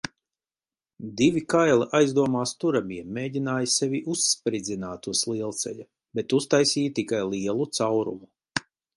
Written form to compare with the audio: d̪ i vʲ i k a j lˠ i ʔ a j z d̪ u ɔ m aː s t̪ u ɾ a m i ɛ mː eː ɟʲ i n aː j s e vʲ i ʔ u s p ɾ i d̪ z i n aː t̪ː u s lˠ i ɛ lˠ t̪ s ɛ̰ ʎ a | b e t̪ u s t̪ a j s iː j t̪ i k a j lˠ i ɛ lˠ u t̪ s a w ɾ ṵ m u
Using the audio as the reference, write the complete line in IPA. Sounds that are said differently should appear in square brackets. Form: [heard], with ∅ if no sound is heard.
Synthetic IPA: d̪ i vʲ i k a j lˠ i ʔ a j z d̪ u ɔ m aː s t̪ u ɾ a m i ɛ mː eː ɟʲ i n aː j s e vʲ i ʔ u s p ɾ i d̪ z i n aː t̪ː u s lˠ i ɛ lˠ t̪ s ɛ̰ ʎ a | b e t̪ u s t̪ a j s iː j t̪ i k a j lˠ i ɛ lˠ u t̪ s a w ɾ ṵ m u